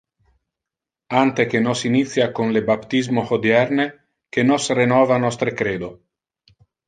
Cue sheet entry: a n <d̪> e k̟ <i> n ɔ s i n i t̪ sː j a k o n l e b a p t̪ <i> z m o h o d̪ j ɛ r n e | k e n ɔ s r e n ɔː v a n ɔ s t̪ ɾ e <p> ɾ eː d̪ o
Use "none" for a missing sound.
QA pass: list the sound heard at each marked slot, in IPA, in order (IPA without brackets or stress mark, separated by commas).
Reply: t̪, e, i, k